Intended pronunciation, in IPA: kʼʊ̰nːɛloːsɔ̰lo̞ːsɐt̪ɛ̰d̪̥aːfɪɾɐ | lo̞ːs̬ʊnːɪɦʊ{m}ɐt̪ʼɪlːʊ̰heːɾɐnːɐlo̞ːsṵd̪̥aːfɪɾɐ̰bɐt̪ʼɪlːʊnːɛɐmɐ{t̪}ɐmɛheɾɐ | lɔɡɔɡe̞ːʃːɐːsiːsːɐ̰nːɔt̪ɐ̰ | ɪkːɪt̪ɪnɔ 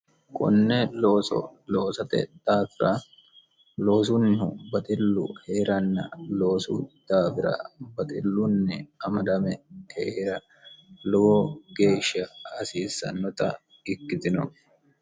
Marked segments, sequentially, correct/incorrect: incorrect: b, incorrect: d̪

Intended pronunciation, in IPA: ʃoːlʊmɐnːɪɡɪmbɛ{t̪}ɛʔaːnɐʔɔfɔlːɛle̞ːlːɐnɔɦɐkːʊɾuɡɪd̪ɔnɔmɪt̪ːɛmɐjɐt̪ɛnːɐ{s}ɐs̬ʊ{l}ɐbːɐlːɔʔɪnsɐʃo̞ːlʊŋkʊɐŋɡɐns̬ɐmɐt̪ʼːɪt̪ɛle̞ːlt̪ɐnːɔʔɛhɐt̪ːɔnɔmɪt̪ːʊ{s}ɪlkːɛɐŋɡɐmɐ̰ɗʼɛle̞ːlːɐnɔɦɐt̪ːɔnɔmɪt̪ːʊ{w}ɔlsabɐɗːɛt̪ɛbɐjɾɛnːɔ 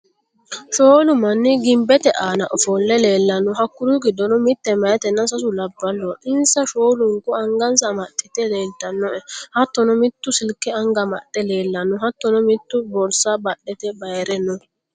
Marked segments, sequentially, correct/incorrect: correct, correct, correct, correct, incorrect: b

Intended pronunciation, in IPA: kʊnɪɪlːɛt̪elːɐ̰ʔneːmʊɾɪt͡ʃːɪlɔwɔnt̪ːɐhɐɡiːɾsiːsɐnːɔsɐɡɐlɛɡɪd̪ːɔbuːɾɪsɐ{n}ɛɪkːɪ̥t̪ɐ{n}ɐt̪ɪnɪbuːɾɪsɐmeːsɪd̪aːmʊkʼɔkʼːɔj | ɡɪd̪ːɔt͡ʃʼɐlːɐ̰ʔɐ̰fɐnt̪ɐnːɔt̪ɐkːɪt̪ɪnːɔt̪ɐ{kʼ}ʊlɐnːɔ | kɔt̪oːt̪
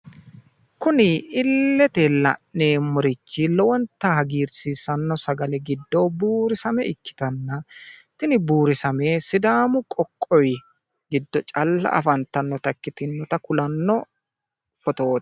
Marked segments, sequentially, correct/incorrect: incorrect: m, incorrect: nː, incorrect: k

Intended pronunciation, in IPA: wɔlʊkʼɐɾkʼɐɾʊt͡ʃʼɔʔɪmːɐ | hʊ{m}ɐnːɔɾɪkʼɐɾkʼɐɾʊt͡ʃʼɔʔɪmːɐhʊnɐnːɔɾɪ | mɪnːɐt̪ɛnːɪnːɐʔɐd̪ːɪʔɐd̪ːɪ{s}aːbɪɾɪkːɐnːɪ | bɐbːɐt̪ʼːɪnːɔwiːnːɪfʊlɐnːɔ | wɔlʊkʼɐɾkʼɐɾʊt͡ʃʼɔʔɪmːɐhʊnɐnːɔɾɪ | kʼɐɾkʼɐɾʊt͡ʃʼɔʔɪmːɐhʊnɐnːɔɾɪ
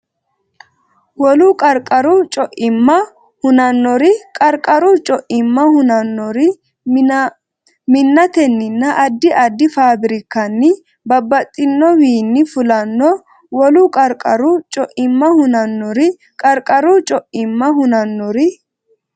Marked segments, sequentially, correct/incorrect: incorrect: n, incorrect: f

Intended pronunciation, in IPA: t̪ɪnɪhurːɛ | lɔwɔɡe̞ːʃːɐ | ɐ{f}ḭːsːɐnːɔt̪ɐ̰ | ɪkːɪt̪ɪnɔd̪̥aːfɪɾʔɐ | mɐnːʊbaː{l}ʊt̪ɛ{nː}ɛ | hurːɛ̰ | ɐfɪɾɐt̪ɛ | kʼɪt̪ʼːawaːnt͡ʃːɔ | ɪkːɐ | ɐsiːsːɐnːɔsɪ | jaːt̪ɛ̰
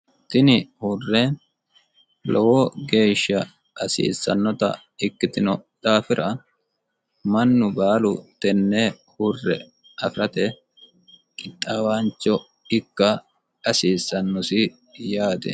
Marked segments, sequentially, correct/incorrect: incorrect: s, correct, correct

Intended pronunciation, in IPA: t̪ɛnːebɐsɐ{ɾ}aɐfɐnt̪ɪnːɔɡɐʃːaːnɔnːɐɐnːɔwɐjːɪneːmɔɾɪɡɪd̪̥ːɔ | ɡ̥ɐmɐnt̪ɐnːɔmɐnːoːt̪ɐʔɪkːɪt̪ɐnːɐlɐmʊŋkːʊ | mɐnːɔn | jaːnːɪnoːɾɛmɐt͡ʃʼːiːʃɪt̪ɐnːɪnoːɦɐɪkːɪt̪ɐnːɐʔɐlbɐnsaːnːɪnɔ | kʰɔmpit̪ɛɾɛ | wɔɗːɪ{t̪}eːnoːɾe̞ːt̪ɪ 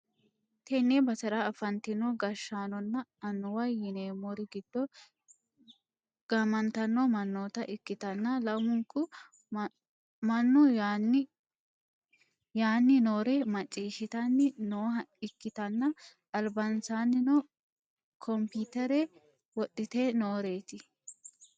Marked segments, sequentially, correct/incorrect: correct, correct

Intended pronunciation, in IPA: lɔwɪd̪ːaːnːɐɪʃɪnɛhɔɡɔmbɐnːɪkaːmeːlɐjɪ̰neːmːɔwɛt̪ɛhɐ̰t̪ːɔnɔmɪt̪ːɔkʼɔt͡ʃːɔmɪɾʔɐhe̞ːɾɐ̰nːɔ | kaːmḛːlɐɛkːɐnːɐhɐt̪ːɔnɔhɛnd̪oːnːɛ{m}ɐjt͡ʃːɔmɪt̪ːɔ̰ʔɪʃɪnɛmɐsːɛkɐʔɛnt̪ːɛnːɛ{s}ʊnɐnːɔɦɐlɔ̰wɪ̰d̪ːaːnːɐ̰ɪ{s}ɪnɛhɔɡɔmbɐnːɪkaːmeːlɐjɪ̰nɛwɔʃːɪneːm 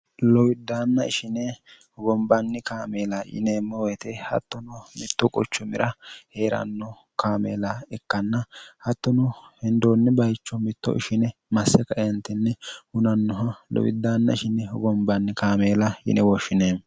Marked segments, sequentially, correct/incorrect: incorrect: b, incorrect: h, incorrect: ʃ

